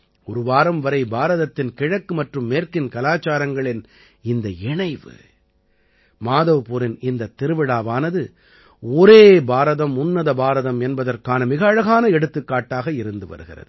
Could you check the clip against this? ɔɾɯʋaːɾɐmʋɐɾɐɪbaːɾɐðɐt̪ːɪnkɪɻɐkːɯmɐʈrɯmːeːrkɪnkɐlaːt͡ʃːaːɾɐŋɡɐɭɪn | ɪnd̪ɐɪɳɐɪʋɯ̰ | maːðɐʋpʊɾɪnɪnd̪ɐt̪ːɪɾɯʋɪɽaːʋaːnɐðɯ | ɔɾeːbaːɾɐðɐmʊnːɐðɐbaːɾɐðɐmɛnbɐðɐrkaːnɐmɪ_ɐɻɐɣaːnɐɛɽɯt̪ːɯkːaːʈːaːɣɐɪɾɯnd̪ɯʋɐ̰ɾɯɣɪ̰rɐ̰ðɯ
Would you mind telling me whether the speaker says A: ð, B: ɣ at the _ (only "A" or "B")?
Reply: B